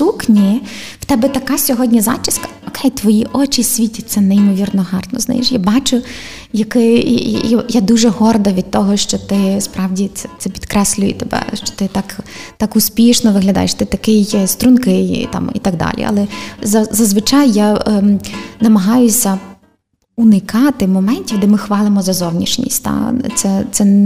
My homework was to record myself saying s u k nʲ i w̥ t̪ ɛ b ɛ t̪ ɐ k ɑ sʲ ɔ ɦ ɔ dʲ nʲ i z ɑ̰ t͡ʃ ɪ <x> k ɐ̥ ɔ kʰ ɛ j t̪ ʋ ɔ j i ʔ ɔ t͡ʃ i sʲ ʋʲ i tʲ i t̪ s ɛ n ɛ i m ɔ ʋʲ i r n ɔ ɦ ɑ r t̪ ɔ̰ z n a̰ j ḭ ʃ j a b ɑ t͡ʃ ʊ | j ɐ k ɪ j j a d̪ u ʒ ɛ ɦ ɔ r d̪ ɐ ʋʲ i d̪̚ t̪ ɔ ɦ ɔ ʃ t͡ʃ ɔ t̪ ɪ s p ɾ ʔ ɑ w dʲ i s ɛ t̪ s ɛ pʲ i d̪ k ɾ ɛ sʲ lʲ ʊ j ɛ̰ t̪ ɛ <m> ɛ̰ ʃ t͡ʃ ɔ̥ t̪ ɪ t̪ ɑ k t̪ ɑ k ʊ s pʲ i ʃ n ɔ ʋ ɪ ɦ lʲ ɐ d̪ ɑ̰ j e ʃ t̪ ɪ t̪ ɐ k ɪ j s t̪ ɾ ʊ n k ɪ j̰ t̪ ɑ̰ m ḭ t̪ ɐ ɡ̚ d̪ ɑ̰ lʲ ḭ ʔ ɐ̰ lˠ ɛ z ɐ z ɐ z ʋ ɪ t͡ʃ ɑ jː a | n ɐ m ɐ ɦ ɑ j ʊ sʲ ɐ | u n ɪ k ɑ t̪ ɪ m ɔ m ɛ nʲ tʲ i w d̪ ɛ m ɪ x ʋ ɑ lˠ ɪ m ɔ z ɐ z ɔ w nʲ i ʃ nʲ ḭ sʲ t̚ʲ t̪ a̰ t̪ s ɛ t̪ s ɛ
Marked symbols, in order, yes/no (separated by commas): no, no